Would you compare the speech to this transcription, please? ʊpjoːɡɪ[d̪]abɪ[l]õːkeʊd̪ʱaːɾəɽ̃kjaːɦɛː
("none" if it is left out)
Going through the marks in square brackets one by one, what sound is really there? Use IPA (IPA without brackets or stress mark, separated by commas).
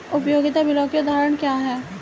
t̪, l